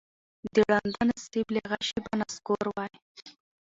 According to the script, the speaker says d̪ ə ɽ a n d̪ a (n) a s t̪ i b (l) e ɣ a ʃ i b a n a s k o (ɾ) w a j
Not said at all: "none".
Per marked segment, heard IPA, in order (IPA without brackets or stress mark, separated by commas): n, l, ɾ